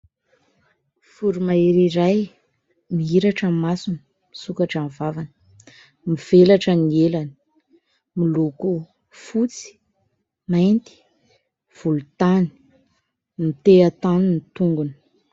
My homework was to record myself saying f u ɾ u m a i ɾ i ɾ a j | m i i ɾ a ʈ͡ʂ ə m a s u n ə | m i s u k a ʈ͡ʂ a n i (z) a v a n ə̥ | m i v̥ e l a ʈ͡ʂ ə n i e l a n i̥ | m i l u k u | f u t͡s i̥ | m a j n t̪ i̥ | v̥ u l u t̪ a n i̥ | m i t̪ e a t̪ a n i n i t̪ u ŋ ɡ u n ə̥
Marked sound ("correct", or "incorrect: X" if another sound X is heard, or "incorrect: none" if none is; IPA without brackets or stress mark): incorrect: v